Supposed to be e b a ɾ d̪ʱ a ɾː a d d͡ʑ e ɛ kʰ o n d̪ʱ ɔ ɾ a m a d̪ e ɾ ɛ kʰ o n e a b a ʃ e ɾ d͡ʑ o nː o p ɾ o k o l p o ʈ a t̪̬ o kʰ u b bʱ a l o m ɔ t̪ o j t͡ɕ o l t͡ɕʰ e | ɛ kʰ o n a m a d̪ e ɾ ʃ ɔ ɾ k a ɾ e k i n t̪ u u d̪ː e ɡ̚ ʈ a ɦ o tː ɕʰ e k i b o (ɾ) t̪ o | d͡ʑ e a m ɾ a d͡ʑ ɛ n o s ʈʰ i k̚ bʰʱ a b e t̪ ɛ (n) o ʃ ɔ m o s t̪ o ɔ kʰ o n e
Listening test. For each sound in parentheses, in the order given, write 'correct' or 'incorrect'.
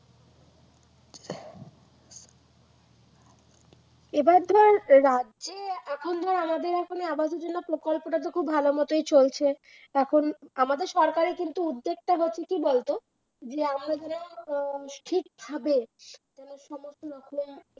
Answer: incorrect, correct

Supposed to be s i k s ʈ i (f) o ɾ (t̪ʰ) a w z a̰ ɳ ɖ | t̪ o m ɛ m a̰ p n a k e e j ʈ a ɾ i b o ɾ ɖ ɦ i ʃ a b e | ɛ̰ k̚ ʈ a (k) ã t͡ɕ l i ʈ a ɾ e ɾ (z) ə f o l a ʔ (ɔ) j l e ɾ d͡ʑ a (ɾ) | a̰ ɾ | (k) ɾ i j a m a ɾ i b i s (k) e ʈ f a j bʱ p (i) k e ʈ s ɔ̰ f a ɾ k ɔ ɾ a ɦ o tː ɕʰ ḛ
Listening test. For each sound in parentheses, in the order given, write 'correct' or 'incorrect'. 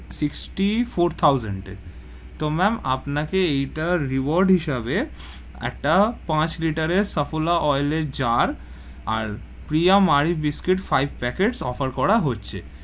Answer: correct, correct, incorrect, incorrect, correct, correct, incorrect, correct, incorrect

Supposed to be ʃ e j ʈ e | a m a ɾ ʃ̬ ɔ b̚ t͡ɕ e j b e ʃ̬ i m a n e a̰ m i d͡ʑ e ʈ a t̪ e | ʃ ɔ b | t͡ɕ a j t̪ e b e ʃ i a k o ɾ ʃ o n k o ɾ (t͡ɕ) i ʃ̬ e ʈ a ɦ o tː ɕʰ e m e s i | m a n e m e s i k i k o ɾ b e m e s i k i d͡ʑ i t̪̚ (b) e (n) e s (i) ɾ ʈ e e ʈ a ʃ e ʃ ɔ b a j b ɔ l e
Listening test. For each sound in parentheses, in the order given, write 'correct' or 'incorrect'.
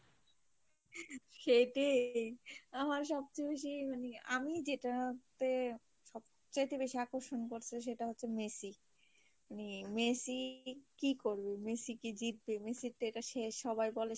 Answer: incorrect, correct, incorrect, correct

